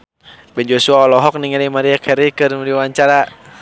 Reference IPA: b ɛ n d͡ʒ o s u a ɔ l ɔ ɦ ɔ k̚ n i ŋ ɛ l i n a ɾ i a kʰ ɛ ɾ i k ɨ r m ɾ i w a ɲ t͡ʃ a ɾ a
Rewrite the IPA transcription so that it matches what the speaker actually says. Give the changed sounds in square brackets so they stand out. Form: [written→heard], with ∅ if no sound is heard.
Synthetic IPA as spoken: b ɛ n d͡ʒ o s u a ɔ l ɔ ɦ ɔ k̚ n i ŋ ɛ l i [n→m] a ɾ i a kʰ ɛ ɾ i k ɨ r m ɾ i w a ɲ t͡ʃ a ɾ a